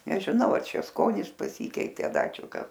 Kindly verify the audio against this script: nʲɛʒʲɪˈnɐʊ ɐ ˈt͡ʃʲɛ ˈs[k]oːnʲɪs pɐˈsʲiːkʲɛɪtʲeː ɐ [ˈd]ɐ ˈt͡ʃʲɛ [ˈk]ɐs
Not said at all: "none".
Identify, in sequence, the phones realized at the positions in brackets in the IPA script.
k, d, k

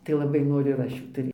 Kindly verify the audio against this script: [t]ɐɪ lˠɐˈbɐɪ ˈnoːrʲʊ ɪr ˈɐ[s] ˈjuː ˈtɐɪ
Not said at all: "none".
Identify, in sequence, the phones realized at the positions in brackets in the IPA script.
t, ʃ

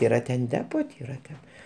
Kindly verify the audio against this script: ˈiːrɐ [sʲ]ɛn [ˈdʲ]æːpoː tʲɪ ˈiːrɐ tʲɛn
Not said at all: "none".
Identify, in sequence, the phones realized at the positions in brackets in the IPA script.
tʲ, dʲ

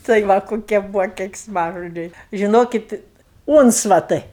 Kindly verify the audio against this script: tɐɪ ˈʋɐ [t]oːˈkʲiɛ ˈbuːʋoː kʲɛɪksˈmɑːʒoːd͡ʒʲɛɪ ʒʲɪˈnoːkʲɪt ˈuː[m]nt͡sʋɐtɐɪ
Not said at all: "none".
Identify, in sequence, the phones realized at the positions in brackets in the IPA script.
k, none

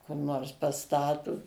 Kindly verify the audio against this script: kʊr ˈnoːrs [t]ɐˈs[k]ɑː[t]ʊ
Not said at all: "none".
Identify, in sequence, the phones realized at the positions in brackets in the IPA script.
p, t, t

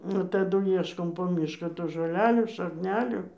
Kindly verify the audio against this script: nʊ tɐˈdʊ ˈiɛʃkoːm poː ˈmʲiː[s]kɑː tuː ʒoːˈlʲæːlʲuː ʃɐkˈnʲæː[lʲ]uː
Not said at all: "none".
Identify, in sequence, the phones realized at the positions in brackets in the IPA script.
ʃ, lʲ

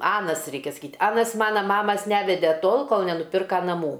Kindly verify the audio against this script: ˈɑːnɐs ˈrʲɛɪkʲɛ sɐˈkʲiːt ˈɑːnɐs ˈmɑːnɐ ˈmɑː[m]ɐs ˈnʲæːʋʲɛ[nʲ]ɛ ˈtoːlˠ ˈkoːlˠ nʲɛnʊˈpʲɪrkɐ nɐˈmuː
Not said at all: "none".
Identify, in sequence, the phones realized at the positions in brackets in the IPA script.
m, dʲ

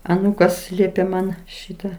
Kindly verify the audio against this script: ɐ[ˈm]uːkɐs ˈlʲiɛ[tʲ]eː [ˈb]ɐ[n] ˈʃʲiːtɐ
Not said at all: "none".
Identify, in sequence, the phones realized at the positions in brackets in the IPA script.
n, pʲ, m, n

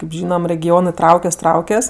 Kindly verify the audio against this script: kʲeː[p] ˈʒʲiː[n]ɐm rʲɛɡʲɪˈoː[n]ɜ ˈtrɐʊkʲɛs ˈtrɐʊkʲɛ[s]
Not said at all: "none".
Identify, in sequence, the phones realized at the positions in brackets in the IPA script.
p, n, n, s

